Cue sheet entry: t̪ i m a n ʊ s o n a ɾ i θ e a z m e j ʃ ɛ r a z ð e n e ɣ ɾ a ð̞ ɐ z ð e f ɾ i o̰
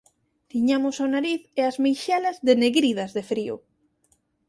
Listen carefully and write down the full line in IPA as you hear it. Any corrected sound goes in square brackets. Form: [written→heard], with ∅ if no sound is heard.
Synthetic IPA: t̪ i [m→ɲ] a [n→m] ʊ s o n a ɾ i θ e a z m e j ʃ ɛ [r→l] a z ð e n e ɣ ɾ [a→i] ð̞ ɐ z ð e f ɾ i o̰